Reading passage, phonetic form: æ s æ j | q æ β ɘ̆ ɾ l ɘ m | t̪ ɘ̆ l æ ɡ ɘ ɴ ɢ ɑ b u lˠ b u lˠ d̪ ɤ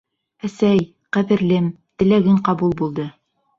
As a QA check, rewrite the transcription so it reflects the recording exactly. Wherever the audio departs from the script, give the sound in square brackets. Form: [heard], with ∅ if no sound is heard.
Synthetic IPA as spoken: æ s æ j | q æ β ɘ̆ ɾ l ɘ m | t̪ ɘ̆ l æ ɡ ɘ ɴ [q] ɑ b u lˠ b u lˠ d̪ ɤ